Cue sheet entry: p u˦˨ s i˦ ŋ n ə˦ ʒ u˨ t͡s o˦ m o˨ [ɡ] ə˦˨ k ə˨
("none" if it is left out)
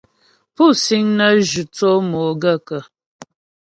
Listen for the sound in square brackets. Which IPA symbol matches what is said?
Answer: ɡ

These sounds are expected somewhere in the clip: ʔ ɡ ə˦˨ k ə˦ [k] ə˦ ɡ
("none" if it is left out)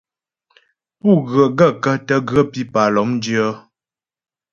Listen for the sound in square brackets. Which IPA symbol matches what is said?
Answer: t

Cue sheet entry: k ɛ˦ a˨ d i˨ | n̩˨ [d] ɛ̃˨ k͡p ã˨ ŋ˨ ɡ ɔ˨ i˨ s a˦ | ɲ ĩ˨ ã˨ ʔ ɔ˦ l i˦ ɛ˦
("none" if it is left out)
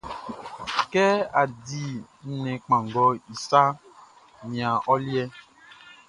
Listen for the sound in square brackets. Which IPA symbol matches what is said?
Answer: n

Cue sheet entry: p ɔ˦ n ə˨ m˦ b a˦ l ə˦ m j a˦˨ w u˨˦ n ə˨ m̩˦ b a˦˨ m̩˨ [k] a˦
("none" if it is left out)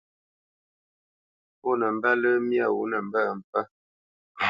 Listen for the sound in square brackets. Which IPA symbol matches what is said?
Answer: p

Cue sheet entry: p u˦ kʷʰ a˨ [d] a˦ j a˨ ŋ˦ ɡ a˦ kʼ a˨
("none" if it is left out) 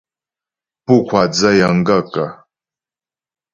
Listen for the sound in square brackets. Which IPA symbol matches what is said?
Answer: d͡z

